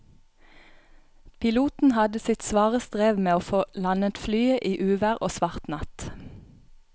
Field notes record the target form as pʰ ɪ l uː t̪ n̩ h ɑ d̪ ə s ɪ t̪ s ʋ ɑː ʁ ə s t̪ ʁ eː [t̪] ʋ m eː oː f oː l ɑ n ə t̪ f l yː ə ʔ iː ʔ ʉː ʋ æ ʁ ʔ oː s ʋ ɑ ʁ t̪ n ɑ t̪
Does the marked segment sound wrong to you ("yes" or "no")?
yes